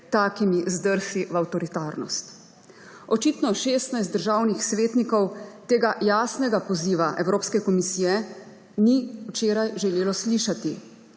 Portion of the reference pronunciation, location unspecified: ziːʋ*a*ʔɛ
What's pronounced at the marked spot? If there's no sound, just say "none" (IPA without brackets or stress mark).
a